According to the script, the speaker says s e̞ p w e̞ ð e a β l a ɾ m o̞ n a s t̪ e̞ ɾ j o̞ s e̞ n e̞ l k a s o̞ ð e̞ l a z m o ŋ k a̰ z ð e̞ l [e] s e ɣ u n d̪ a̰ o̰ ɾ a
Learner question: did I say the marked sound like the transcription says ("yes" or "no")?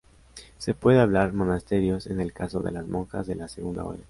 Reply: no